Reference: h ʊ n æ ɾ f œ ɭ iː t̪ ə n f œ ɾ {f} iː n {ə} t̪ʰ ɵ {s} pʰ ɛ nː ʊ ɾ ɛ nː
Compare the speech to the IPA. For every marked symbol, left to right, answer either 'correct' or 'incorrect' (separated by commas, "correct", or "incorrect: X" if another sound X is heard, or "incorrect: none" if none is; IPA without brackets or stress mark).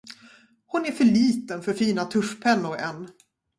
correct, incorrect: a, incorrect: ʂ